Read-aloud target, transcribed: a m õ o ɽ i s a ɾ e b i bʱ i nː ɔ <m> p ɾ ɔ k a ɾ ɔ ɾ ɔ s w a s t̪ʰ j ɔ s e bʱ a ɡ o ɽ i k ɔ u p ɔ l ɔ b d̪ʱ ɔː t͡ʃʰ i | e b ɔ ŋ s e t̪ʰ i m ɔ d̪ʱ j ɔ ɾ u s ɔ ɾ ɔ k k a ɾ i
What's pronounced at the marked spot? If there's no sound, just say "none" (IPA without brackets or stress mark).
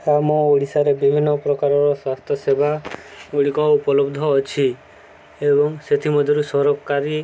none